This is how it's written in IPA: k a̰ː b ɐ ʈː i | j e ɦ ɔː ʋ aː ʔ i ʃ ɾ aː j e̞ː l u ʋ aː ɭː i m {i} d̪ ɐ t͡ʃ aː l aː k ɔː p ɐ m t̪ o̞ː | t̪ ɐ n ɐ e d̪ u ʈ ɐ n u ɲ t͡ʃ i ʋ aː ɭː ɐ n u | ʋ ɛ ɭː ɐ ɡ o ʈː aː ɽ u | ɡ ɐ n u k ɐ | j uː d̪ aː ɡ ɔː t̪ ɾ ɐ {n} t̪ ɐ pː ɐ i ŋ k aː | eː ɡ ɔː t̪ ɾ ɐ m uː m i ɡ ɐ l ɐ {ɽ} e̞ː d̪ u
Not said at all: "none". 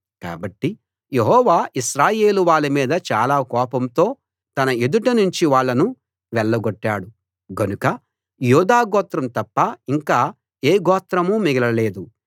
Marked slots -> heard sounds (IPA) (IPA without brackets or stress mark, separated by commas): iː, m, l